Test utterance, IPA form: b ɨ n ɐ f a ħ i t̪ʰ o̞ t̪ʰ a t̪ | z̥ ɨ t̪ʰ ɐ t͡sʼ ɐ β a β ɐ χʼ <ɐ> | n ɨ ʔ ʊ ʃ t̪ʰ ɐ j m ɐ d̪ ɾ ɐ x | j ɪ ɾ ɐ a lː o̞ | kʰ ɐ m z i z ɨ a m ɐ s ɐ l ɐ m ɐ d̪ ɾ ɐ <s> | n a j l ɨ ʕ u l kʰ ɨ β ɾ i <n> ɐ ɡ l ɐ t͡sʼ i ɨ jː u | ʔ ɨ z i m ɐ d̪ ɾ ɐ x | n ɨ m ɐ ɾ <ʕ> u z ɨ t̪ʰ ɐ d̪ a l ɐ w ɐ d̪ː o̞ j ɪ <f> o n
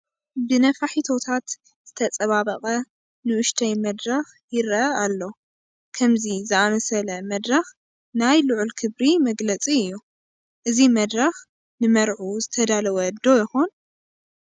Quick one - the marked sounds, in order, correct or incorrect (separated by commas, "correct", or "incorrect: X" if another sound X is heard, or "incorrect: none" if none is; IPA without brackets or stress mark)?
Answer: correct, incorrect: x, incorrect: m, correct, incorrect: x